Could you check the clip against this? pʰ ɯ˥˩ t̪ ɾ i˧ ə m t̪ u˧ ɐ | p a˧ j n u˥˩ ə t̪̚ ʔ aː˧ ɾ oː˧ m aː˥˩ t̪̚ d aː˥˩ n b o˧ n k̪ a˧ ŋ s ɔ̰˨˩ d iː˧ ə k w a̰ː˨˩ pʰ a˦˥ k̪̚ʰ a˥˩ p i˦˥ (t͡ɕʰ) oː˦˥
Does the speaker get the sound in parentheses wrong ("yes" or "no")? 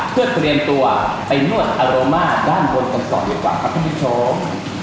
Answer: no